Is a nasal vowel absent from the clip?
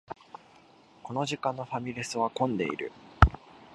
no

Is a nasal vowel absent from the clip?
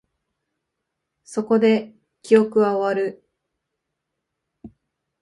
yes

